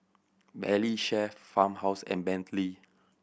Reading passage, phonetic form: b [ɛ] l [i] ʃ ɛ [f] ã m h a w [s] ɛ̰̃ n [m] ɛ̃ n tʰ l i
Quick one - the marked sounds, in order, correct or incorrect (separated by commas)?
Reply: correct, correct, correct, correct, incorrect